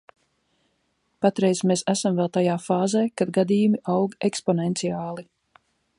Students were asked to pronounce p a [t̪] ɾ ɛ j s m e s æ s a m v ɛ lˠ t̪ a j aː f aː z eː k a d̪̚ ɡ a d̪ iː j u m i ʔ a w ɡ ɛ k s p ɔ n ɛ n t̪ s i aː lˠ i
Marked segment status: correct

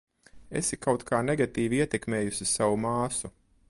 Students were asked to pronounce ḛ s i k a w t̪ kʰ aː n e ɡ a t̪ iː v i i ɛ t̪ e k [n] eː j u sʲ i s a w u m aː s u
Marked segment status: incorrect: m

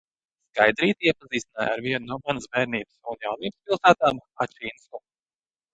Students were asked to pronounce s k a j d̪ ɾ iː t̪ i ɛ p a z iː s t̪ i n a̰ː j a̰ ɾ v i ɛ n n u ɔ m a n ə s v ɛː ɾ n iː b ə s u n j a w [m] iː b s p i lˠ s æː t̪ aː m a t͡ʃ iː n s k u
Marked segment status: incorrect: n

